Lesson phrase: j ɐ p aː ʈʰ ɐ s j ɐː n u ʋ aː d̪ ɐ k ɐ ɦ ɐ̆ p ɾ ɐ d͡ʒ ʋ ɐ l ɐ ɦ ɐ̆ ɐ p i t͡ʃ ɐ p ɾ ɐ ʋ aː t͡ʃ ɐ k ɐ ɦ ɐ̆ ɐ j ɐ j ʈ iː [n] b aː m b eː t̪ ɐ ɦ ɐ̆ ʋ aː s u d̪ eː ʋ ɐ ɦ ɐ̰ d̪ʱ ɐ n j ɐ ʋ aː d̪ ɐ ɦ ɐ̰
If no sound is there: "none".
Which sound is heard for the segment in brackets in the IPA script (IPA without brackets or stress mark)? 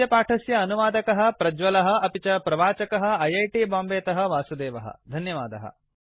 none